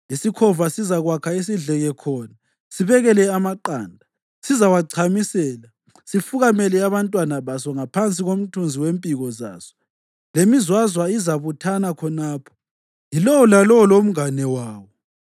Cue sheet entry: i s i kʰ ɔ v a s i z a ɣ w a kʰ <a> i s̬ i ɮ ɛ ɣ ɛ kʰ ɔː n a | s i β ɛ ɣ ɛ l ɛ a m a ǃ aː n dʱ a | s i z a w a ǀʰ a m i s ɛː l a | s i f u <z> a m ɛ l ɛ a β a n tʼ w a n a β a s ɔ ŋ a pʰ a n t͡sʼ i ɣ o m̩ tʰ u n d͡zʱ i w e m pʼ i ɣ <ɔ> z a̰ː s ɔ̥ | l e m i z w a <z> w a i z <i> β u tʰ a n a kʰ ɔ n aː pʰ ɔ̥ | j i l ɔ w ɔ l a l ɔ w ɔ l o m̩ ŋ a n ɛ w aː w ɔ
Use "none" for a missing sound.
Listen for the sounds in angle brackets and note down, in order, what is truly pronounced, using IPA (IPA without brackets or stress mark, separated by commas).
a, ɣ, ɔ, z, a